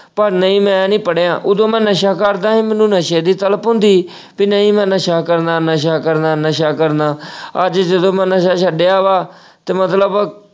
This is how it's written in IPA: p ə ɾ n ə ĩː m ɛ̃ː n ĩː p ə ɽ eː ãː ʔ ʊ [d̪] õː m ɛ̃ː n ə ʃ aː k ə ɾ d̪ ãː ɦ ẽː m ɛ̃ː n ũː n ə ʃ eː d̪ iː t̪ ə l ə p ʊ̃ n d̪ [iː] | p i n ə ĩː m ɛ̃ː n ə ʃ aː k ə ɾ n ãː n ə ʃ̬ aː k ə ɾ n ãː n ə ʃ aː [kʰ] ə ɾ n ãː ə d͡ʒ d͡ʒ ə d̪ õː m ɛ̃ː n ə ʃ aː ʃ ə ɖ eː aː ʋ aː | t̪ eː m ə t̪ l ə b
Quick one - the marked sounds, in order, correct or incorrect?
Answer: correct, correct, incorrect

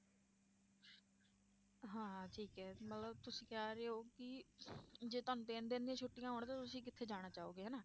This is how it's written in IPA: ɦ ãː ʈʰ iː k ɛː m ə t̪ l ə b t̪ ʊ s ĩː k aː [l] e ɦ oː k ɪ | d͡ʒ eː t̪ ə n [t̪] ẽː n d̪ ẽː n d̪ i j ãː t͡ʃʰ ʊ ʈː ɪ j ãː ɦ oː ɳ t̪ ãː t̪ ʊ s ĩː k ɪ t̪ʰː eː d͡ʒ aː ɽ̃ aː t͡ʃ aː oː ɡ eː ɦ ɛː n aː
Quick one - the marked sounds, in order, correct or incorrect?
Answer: incorrect, correct

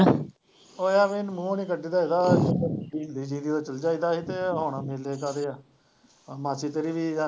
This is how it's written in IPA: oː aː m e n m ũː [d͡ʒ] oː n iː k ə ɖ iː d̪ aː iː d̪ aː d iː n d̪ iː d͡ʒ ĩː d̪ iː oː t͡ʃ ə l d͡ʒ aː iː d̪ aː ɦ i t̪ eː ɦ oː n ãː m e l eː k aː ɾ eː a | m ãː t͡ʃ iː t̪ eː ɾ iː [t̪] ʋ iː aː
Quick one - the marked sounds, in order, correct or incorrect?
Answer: incorrect, incorrect

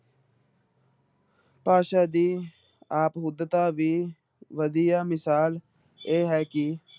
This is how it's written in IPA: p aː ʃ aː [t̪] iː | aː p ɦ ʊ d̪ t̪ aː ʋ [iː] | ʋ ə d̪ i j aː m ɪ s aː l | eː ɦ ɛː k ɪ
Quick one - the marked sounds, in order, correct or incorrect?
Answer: incorrect, correct

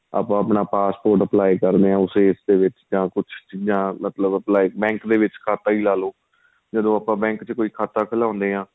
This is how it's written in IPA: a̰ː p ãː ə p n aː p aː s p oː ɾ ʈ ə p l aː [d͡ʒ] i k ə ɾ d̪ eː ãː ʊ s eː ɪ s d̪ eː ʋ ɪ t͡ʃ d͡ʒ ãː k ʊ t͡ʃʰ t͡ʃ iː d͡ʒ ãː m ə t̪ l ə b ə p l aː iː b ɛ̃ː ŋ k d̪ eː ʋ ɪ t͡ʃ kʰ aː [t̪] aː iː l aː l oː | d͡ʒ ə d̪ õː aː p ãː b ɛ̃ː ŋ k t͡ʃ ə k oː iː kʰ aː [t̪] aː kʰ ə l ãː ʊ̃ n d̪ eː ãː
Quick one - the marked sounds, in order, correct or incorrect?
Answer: incorrect, correct, correct

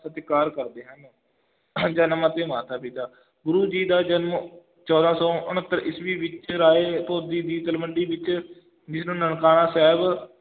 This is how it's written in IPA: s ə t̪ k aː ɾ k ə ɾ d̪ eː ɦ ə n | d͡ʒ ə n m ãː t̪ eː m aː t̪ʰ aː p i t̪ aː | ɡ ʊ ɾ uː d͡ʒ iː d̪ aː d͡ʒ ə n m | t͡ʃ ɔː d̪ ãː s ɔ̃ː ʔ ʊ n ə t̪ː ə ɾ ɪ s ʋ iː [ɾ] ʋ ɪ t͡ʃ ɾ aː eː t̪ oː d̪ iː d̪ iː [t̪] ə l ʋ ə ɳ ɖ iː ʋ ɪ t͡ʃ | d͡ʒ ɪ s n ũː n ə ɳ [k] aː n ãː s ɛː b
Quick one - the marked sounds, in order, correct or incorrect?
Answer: incorrect, correct, correct

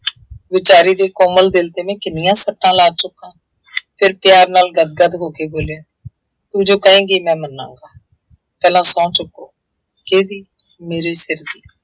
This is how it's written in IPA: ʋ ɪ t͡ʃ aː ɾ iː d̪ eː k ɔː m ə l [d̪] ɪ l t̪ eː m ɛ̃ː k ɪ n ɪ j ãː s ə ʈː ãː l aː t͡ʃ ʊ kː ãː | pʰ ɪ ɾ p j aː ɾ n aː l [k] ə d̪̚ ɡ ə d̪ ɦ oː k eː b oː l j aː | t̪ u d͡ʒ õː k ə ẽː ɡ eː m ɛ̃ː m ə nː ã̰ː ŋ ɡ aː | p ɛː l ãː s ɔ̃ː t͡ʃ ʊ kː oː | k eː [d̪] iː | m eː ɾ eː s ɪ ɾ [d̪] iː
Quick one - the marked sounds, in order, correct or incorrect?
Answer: correct, incorrect, correct, correct

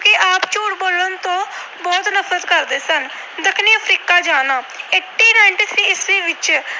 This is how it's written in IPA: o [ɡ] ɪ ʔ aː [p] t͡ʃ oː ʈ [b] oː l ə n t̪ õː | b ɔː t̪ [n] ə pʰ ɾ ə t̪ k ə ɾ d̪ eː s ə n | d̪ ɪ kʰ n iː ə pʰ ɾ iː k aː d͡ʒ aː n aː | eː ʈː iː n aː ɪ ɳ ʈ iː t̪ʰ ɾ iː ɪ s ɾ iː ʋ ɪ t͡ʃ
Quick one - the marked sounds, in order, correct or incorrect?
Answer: incorrect, correct, correct, correct

